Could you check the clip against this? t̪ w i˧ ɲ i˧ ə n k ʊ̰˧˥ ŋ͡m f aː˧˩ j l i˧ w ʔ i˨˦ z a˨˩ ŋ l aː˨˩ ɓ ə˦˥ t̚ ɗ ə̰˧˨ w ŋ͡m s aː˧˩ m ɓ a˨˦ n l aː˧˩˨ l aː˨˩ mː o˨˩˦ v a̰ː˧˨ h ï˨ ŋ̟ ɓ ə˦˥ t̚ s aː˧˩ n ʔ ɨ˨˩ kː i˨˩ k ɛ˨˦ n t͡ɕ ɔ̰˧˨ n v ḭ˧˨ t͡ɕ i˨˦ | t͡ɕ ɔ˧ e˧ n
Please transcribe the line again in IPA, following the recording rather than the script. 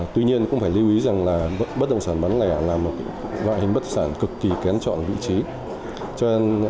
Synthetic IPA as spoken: t̪ w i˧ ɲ i˧ ə n k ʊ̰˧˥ ŋ͡m f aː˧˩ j l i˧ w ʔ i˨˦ z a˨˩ ŋ l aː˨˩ ɓ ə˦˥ t̚ ɗ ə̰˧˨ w ŋ͡m s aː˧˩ n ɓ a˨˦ n l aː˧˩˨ l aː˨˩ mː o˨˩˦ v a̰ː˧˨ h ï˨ ŋ̟ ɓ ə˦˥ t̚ s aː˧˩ n k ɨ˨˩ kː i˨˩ k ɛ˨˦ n t͡ɕ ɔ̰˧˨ n v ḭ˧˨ t͡ɕ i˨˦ | t͡ɕ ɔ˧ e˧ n

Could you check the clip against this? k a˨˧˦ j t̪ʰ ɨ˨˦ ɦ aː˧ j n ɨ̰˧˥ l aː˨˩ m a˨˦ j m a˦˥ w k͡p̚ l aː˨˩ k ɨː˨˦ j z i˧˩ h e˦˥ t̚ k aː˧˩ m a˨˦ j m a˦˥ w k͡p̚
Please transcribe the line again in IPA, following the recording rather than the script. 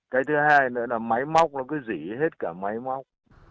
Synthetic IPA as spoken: k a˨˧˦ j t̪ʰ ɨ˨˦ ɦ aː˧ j n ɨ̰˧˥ l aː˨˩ m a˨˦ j m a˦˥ w k͡p̚ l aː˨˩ k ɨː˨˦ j z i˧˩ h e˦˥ t̚ k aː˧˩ m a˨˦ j m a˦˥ w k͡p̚

